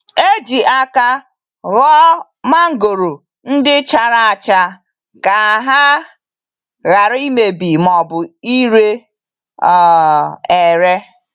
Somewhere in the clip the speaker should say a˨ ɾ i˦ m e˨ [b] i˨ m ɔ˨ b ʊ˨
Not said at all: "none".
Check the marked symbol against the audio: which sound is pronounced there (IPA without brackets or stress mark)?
b